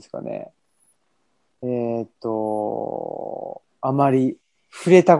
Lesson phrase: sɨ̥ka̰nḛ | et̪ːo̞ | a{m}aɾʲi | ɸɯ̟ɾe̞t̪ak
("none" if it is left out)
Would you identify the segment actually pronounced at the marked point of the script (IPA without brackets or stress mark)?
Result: m